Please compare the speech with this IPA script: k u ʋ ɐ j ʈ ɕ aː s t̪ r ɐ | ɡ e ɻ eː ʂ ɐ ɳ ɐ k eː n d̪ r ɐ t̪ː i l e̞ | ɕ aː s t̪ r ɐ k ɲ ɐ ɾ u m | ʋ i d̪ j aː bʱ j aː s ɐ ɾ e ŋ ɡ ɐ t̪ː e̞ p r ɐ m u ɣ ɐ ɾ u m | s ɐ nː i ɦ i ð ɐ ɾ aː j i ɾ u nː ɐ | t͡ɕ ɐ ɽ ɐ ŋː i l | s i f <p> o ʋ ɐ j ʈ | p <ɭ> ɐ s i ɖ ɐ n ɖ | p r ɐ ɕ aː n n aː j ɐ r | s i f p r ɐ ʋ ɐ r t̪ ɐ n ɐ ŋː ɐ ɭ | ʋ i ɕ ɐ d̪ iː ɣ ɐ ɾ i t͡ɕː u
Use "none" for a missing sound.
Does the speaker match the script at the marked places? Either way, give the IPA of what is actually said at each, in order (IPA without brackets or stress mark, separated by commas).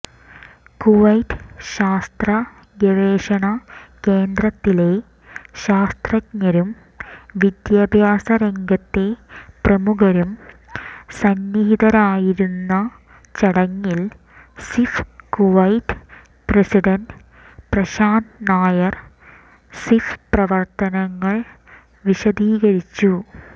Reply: k, r